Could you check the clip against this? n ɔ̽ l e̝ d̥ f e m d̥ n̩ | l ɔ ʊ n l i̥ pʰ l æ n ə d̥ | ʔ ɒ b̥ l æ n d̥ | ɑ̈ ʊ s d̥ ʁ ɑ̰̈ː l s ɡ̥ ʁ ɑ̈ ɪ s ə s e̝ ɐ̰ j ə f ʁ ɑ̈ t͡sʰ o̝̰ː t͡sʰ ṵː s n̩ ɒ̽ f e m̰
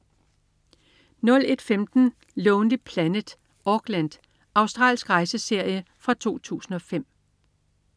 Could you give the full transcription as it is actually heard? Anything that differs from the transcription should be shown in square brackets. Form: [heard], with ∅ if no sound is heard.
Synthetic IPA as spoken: n ɔ̽ l e̝ d̥ f e m d̥ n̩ | l ɔ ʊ n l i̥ pʰ l æ n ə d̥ | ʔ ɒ [ɡ̥] l æ n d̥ | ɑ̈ ʊ s d̥ ʁ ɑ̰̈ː l s ɡ̥ ʁ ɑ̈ ɪ s ə s e̝ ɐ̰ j ə f ʁ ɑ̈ t͡sʰ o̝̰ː t͡sʰ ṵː s n̩ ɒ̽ f e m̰